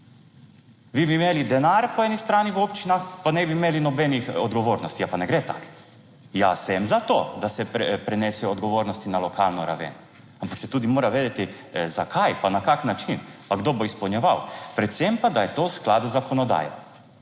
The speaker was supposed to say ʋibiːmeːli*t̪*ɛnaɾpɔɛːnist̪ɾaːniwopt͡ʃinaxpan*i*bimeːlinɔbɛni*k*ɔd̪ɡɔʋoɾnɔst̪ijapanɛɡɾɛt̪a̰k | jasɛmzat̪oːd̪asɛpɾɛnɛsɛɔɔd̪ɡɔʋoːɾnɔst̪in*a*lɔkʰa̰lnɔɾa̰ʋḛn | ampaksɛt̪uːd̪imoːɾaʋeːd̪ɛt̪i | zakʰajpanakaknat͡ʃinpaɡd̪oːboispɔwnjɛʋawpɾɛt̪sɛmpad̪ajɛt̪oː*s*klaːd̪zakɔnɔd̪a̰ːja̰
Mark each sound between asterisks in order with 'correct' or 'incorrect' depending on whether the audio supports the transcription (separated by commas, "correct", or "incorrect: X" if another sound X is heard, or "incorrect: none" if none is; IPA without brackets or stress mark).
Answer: incorrect: d̪, incorrect: ɛ, incorrect: x, correct, correct